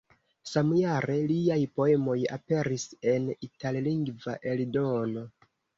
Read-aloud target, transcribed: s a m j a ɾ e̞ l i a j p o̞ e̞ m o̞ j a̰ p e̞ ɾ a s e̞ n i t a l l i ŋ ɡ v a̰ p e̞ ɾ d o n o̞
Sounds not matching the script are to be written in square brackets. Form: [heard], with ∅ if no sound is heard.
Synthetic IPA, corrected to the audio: s a m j a ɾ e̞ l i a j p o̞ e̞ m o̞ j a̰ p e̞ ɾ [i] s e̞ n i t a l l i ŋ ɡ v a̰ [ʔ] e̞ [l] d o n o̞